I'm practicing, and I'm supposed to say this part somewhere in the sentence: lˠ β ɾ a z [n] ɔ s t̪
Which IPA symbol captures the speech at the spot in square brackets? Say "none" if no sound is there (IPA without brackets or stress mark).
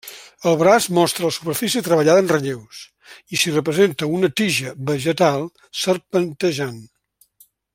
m